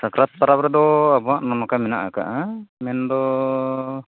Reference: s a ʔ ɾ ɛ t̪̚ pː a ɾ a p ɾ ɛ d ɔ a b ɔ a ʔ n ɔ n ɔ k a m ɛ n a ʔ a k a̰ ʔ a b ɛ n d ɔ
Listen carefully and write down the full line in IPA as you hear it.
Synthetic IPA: s a k ɾ a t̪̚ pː a ɾ a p ɾ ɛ d ɔ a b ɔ a ʔ n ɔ n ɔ k a m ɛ n a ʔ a k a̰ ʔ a m ɛ n d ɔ